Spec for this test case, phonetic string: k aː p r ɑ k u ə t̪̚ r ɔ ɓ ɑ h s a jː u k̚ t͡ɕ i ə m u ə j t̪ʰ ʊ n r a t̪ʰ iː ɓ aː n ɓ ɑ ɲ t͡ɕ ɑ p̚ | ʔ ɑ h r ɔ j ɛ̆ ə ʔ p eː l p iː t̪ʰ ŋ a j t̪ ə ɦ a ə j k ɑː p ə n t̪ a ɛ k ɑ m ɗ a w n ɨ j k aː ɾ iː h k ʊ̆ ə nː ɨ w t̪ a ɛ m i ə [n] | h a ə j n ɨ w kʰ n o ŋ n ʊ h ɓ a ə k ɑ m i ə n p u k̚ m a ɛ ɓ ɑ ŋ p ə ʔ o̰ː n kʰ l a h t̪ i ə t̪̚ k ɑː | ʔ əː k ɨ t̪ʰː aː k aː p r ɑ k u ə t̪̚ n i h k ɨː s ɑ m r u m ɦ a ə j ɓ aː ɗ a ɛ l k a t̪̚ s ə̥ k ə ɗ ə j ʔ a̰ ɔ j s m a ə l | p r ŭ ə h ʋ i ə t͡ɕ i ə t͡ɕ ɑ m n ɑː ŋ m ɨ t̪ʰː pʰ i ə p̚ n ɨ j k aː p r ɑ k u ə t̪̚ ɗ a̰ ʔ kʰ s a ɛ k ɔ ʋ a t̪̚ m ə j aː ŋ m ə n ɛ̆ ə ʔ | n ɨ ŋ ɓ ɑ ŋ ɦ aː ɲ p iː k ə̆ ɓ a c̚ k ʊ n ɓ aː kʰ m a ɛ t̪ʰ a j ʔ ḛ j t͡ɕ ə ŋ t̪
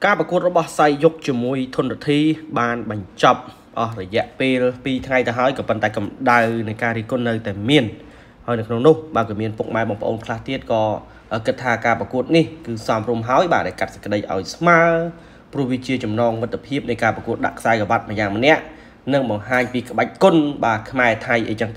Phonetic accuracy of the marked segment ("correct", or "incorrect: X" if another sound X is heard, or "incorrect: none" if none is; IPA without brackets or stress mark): correct